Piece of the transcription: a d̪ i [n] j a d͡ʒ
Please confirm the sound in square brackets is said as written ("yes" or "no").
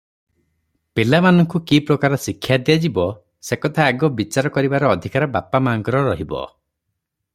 no